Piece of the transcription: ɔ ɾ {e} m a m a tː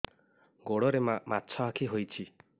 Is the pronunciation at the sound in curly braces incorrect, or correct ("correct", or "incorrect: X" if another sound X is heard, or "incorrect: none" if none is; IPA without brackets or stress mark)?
correct